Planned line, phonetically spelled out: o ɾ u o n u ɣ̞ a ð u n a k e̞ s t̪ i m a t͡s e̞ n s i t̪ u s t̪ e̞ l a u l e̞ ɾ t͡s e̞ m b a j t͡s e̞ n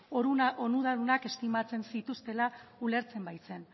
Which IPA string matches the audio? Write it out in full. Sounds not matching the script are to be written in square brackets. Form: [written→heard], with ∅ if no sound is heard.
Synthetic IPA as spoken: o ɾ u o n u [ɣ̞→ð̞] a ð u n a k e̞ s t̪ i m a t͡s e̞ n s i t̪ u s t̪ e̞ l a u l e̞ ɾ t͡s e̞ m b a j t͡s e̞ n